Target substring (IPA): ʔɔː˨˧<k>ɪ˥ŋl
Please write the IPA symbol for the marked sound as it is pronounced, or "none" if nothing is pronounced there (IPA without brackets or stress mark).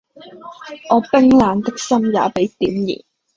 p